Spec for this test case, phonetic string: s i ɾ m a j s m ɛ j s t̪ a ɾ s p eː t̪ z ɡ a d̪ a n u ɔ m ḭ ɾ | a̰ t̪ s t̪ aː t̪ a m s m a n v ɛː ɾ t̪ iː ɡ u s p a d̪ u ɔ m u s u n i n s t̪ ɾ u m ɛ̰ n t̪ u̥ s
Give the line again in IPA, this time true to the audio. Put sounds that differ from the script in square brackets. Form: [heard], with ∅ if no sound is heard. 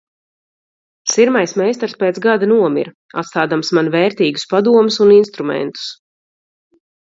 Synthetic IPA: s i ɾ m a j s m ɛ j s t̪ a ɾ s p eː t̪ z ɡ a d̪ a n u ɔ m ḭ ɾ | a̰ t̪ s t̪ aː [d̪] a m s m a n v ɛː ɾ t̪ iː ɡ u s p a d̪ u ɔ m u s u n i n s t̪ ɾ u m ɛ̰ n t̪ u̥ s